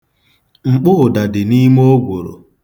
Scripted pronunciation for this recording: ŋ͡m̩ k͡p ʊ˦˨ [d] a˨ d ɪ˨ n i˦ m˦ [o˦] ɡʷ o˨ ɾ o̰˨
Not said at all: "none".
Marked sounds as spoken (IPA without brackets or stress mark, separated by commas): d, o˦